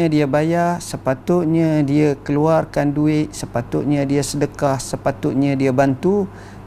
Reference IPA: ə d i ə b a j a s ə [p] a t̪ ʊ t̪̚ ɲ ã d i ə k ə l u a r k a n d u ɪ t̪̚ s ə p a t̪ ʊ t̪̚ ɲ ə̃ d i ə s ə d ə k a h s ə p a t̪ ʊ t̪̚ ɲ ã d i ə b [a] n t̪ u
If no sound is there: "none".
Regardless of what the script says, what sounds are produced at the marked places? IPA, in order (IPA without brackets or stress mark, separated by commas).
p, a